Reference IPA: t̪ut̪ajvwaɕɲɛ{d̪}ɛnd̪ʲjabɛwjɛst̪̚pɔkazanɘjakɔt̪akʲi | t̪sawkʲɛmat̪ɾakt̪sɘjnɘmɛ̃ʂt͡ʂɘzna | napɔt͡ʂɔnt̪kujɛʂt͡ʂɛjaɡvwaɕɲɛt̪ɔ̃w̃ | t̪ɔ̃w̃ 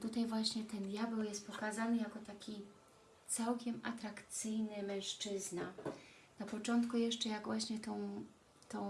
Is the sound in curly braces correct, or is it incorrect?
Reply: incorrect